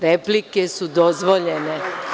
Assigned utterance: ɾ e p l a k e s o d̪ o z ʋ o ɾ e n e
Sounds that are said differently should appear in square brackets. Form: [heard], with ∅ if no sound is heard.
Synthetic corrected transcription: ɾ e p l [i] k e s [u] d̪ o z ʋ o [ʎ] e n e